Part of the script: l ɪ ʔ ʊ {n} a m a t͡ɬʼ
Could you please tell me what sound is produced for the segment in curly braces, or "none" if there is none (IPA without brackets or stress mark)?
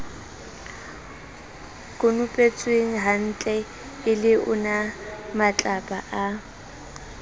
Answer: n